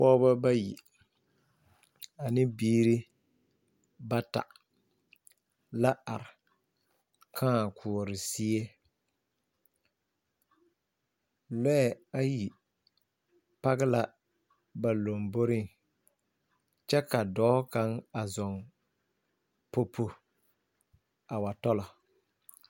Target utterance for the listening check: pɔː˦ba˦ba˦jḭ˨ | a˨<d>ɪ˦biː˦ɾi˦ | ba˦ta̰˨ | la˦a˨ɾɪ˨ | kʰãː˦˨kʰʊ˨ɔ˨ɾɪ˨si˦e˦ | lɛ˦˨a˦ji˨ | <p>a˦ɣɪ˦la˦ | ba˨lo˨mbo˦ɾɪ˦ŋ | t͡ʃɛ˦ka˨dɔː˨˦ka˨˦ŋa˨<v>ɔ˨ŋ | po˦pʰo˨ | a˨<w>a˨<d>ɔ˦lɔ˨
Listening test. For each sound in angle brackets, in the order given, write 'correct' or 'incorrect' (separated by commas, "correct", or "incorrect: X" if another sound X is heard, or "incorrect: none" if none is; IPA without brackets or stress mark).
incorrect: n, correct, incorrect: z, correct, incorrect: t